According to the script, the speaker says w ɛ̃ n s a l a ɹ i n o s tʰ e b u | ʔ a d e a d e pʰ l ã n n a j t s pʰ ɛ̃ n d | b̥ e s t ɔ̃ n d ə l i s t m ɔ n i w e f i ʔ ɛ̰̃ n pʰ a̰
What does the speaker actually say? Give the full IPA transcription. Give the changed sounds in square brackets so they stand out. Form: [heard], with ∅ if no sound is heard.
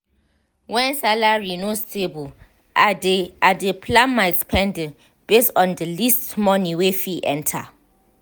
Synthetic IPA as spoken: w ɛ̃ n s a l a ɹ i n o s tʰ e b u | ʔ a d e a d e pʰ l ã n [m] a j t s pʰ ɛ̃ n d | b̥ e s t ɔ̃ n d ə l i s t m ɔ n i w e f i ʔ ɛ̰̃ n [tʰ] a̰